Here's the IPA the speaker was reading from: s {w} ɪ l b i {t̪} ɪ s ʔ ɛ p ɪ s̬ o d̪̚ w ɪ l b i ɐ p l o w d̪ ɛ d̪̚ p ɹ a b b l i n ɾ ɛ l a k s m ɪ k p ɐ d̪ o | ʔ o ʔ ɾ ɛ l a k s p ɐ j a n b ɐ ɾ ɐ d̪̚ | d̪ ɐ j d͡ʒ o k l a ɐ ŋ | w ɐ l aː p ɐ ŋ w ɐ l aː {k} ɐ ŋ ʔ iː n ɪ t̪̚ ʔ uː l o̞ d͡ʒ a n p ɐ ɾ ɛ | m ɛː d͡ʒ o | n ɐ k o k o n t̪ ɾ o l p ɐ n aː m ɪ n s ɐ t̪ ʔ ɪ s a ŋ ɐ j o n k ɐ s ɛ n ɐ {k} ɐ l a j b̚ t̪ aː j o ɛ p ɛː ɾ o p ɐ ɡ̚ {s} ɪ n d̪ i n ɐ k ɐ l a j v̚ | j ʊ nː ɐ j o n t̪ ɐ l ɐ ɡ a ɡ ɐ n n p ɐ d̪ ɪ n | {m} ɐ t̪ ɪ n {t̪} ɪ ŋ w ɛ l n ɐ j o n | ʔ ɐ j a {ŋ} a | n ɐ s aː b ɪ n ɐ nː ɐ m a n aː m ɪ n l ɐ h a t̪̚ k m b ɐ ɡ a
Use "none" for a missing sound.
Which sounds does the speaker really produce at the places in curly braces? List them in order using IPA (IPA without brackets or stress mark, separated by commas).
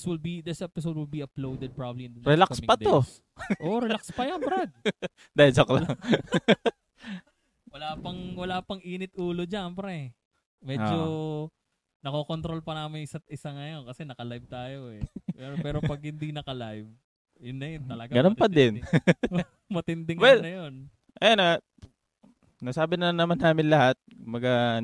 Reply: w, d̪, p, k, h, m, d̪, n